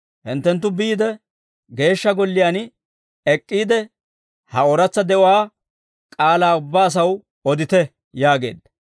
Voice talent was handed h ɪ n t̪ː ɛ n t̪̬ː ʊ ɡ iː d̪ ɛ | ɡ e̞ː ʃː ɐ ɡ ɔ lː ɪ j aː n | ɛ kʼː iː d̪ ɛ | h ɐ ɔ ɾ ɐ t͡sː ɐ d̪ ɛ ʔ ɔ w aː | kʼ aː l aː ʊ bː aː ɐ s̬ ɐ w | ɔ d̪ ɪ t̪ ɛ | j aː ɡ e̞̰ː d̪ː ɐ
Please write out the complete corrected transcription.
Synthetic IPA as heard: h ɪ n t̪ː ɛ n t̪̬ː ʊ b iː d̪ ɛ | ɡ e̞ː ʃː ɐ ɡ ɔ lː ɪ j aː n | ɛ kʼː iː d̪ ɛ | h ɐ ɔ ɾ ɐ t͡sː ɐ d̪ ɛ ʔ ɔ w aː | kʼ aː l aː ʊ bː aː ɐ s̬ ɐ w | ɔ d̪ ɪ t̪ ɛ | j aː ɡ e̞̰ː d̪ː ɐ